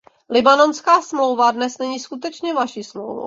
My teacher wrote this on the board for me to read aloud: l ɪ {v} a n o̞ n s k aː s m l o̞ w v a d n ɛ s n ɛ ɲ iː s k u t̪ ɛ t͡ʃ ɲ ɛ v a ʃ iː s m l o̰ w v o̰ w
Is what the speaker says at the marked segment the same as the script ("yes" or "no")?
no